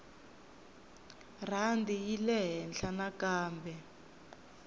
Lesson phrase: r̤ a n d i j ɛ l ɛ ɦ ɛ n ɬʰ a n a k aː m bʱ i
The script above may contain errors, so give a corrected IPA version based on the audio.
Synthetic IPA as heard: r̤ a n d i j i l ɛ ɦ ɛ n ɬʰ a n a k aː m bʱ ɛ